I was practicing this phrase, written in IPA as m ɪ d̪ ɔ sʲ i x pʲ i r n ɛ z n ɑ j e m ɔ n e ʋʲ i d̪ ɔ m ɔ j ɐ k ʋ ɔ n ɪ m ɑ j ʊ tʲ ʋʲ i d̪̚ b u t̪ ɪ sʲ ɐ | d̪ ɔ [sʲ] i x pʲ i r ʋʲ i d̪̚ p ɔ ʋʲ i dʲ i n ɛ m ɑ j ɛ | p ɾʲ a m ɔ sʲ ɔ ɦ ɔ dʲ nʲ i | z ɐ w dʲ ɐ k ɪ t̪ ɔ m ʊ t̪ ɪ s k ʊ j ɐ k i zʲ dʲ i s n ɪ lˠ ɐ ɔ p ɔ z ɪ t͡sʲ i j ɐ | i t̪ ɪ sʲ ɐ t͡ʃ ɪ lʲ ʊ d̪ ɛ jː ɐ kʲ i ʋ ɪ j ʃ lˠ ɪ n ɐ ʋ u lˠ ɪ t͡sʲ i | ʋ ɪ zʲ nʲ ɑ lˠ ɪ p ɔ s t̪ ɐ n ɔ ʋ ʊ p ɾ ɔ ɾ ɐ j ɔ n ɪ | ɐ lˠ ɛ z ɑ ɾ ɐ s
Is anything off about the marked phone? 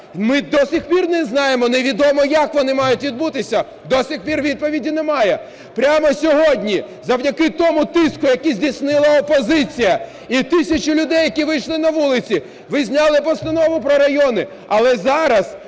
no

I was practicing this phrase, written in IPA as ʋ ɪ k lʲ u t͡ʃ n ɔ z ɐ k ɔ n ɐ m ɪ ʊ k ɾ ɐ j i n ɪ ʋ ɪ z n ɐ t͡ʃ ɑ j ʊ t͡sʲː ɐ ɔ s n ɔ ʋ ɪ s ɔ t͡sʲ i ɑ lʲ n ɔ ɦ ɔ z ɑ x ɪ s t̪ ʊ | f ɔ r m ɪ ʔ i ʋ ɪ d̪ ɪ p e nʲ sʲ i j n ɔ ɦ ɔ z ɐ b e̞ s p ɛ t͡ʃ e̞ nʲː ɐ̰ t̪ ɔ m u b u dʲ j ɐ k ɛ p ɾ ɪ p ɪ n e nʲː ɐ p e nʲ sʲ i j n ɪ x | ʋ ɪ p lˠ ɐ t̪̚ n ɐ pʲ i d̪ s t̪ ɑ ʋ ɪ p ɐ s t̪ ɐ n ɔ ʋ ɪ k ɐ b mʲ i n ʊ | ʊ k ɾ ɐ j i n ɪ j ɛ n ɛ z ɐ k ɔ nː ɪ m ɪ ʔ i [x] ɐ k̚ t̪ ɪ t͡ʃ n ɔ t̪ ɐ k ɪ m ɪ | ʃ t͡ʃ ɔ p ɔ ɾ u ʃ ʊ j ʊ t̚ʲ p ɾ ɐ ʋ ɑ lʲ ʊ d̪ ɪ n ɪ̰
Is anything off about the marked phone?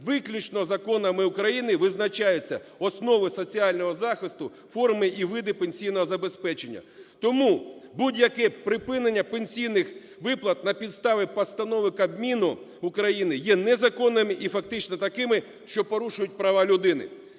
yes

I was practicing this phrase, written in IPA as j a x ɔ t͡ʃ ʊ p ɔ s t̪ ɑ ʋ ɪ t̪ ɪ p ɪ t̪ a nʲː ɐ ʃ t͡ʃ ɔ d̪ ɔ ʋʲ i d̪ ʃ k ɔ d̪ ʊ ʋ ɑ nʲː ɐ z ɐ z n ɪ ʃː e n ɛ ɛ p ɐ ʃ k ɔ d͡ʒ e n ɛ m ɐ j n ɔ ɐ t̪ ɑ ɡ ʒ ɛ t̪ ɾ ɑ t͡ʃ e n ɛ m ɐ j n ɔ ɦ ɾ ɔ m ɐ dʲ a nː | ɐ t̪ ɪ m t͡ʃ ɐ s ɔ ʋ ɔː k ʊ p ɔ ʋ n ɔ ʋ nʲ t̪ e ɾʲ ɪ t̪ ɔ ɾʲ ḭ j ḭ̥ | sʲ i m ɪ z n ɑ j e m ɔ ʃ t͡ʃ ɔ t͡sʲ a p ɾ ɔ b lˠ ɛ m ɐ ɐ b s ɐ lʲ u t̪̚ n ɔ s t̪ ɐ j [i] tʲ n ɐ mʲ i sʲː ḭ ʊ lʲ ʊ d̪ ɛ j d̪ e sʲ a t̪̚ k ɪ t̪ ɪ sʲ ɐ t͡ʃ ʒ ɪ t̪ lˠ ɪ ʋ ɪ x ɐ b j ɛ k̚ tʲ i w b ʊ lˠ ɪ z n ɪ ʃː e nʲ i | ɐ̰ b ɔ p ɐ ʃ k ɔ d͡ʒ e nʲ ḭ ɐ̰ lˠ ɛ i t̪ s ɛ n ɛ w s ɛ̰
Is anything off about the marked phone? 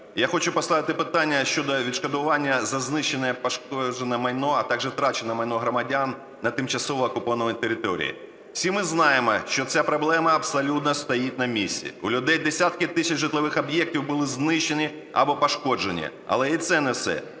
no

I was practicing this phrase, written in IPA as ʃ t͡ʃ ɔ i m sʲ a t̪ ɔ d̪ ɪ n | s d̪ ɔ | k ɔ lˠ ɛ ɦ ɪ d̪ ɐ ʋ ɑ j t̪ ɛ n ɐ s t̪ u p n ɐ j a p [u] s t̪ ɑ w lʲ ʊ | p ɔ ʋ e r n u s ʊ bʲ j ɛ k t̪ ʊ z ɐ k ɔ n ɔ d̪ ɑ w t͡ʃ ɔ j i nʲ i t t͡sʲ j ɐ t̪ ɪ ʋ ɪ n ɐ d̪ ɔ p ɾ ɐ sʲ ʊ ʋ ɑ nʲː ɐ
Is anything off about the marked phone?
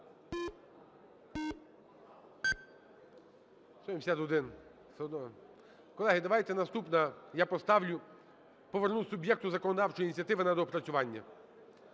yes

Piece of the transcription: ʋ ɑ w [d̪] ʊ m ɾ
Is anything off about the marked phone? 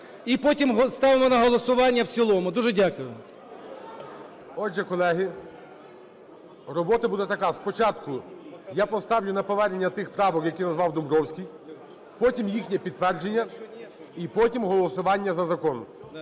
no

